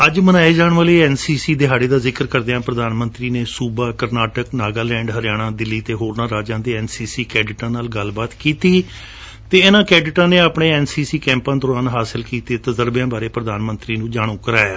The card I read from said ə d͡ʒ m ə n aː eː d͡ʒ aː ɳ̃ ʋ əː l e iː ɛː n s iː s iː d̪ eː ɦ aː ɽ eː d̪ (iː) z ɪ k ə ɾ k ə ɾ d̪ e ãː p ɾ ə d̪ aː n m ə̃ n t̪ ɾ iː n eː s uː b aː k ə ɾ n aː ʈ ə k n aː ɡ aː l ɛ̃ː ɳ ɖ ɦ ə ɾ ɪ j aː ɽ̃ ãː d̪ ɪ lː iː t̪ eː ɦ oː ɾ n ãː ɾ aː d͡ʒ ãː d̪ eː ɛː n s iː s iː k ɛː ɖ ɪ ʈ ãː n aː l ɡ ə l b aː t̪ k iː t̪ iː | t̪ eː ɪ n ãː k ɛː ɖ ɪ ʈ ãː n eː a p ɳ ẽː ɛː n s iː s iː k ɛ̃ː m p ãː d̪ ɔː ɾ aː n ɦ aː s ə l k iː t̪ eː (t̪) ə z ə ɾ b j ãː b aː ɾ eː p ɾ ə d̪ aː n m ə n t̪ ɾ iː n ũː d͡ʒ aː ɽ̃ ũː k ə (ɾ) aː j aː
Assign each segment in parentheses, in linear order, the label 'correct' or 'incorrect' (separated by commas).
incorrect, correct, correct